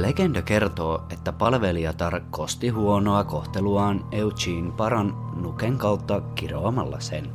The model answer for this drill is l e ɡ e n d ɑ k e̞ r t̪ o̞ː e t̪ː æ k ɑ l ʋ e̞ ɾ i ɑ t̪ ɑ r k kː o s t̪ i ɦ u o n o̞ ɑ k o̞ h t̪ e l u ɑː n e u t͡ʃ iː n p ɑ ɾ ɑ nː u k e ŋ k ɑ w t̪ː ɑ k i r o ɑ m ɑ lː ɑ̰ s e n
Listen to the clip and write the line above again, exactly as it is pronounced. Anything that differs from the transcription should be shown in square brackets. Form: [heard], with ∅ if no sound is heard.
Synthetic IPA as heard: l e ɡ e n d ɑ k e̞ r t̪ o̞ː e t̪ː æ [p] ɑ l ʋ e̞ [l] i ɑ t̪ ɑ r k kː o s t̪ i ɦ u o n o̞ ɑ k o̞ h t̪ e l u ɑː n e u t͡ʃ iː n p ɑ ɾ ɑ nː u k e ŋ k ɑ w t̪ː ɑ k i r o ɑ m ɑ lː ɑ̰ s e n